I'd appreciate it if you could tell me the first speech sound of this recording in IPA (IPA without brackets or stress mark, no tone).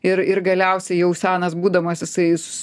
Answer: ɪ